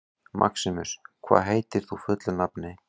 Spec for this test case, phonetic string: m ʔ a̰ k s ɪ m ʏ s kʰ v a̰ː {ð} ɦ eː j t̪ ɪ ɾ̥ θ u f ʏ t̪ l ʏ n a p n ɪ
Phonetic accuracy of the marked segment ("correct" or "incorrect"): correct